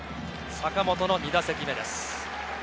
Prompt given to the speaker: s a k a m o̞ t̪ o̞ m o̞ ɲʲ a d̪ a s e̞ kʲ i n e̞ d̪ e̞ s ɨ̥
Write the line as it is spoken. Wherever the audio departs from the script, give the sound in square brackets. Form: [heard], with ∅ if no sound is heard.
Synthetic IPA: s a k a m o̞ t̪ o̞ [n] o̞ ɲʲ [i] d̪ a s e̞ kʲ i [m] e̞ d̪ e̞ s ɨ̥